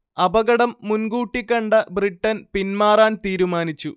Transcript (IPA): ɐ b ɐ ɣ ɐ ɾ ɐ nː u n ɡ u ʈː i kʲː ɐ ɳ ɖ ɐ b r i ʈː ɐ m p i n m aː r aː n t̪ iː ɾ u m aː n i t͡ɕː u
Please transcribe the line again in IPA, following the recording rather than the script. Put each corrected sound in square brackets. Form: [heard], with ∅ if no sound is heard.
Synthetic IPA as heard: ɐ b ɐ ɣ ɐ [ɽ] ɐ [mː] u n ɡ [uː] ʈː i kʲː ɐ ɳ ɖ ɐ b r i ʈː ɐ [n] p i n m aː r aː n t̪ iː ɾ u m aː n i t͡ɕː u